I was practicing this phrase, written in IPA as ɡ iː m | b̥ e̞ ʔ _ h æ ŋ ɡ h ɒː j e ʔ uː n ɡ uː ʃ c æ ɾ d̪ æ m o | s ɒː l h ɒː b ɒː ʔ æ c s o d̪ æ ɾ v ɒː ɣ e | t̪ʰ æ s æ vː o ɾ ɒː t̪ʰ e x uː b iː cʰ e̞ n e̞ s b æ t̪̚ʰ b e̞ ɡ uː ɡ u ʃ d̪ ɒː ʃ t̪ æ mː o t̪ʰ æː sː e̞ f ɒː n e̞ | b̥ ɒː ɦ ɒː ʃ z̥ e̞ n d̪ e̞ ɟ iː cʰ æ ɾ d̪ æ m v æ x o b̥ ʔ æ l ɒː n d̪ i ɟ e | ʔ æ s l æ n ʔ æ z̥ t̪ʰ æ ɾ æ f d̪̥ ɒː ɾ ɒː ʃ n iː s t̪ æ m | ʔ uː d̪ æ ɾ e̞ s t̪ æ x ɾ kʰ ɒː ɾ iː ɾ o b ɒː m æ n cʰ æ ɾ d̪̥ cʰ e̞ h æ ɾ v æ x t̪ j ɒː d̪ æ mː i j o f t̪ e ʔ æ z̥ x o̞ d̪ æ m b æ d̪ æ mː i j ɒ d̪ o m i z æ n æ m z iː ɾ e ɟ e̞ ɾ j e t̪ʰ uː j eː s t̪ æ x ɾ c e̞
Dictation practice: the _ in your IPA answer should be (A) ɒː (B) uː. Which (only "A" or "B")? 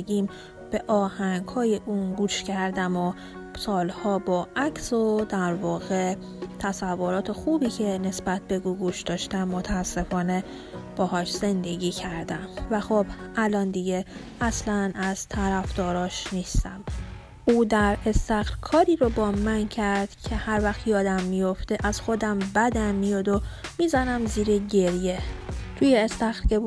A